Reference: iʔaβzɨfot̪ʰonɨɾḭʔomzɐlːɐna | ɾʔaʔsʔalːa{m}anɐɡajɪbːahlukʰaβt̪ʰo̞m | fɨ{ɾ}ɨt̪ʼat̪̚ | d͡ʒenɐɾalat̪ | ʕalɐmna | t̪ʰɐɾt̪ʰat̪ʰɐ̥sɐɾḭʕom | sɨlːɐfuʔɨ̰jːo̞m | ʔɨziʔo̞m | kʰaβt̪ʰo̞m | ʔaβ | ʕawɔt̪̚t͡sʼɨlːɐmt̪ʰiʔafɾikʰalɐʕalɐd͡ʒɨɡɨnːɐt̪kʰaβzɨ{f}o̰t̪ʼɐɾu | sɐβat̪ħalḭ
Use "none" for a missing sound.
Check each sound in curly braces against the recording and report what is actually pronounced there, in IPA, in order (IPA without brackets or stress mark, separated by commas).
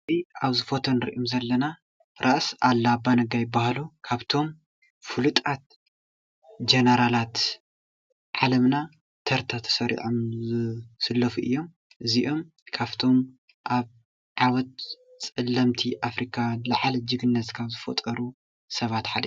b, l, f